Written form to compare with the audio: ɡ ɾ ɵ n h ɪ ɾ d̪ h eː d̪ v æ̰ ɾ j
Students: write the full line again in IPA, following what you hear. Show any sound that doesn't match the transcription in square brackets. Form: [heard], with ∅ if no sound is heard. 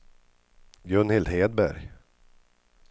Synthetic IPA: ɡ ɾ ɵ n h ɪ [l] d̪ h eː d̪ [b] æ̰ ɾ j